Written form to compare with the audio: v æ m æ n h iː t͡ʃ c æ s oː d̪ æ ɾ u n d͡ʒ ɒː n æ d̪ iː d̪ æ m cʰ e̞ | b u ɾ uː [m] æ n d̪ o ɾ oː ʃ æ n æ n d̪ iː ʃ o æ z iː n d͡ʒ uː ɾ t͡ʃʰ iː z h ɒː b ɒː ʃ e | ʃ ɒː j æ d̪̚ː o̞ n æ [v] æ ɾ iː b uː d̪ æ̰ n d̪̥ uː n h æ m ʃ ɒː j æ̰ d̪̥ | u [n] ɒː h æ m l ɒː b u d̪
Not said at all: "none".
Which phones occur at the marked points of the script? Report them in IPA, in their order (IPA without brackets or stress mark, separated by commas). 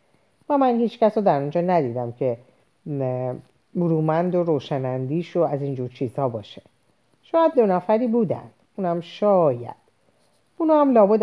m, f, n